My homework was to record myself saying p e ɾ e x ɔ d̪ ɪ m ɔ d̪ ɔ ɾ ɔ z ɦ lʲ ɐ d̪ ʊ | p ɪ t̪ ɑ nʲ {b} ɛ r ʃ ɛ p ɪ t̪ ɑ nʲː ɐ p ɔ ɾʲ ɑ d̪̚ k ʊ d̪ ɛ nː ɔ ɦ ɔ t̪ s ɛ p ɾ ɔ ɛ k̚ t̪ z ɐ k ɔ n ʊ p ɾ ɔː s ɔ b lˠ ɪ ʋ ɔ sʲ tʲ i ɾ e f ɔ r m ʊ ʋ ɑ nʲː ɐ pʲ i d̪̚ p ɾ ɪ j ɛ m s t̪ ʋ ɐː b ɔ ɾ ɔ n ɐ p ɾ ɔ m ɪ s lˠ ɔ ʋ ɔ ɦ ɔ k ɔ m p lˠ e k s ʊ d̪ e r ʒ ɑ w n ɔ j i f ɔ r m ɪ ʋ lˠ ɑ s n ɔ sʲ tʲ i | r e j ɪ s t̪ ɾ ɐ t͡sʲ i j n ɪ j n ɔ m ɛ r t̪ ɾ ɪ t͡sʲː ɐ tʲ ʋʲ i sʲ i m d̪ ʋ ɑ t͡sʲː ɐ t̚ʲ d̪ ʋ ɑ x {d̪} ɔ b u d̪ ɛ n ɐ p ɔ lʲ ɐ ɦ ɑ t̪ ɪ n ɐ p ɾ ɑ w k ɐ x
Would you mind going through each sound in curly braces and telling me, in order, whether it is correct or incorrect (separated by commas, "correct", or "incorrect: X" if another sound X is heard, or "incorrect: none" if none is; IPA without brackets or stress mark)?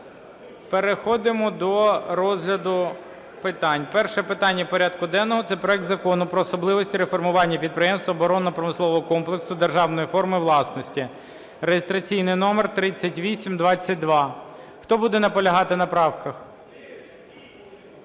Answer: incorrect: p, incorrect: t̪